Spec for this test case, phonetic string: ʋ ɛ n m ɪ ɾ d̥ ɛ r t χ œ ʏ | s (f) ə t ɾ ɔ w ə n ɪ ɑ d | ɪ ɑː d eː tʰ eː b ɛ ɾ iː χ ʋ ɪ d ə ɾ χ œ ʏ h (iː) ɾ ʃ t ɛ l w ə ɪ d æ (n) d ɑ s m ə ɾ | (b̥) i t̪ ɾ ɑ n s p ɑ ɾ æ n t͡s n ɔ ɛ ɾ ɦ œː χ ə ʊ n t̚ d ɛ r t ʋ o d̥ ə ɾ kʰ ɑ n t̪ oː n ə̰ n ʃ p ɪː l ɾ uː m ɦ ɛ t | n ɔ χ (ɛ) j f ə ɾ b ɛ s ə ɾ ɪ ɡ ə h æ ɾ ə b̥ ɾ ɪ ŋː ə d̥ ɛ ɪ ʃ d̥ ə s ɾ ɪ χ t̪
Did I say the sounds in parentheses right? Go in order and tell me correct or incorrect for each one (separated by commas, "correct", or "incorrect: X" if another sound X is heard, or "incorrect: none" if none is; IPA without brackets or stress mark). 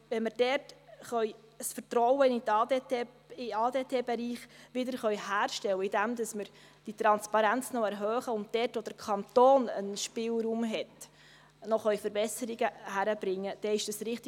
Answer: correct, incorrect: æː, incorrect: m, incorrect: d̥, incorrect: œ